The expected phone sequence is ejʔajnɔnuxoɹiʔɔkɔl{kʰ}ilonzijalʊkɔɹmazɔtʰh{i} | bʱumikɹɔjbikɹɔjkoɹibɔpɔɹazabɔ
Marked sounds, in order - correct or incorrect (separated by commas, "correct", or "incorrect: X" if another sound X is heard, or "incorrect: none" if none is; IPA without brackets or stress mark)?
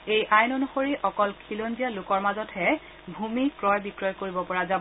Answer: correct, incorrect: ɛ